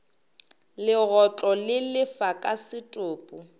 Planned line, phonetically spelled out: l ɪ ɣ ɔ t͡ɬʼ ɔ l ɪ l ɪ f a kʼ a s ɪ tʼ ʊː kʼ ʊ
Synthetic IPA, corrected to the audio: l ɪ ɣ ɔ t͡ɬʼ ɔ l ɪ l ɪ f a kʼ a s ɪ tʼ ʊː pʼ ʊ